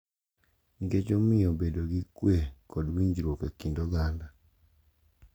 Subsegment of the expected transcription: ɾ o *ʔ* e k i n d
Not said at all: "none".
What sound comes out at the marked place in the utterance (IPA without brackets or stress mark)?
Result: k